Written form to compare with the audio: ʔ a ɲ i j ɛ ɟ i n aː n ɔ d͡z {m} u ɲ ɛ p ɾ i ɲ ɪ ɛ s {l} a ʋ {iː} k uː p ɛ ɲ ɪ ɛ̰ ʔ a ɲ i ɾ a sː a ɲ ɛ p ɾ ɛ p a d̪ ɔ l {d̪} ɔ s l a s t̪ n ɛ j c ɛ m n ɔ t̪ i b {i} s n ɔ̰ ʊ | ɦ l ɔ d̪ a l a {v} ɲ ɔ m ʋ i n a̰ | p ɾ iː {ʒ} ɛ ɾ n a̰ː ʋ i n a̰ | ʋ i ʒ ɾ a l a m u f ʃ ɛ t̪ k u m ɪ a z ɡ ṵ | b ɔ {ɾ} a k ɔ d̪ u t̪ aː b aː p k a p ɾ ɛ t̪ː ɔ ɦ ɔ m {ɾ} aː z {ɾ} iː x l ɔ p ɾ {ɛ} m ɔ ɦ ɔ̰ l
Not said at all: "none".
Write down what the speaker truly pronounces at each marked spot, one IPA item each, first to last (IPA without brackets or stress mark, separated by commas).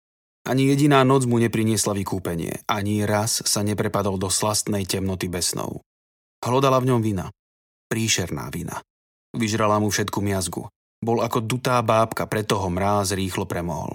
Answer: m, l, i, d̪, ɛ, v, ʃ, l, ɾ, ɾ, ɛ